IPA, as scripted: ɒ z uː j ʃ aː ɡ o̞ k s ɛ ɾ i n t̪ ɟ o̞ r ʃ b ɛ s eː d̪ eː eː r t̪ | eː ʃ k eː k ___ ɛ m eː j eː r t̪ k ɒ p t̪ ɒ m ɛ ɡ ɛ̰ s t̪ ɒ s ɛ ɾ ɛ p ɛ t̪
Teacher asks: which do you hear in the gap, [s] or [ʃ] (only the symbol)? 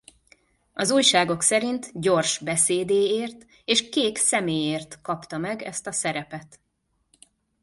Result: s